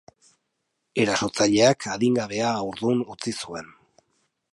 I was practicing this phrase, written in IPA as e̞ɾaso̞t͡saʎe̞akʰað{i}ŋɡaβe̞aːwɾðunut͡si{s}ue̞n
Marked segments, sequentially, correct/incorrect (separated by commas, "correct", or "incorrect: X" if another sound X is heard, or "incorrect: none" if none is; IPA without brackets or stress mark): correct, correct